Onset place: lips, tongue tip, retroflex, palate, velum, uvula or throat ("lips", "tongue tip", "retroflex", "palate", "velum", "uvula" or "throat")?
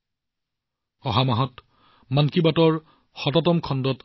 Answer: throat